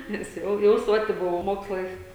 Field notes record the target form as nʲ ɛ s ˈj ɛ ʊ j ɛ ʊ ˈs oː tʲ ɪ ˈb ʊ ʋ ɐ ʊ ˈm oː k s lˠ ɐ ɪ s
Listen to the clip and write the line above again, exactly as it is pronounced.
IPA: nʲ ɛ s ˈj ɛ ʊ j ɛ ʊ ˈs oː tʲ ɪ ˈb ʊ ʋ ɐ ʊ ˈm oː k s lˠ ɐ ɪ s